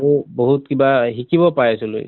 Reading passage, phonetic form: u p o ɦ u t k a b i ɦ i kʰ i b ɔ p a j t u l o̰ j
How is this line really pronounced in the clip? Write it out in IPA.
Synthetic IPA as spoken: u b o ɦ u t k i b a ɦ i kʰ i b ɔ p a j s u l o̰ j